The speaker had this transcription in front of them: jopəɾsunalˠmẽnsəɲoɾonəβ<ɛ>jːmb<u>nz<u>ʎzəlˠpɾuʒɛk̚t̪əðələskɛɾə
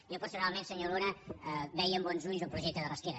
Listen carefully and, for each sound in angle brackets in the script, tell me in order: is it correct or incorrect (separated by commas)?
correct, incorrect, correct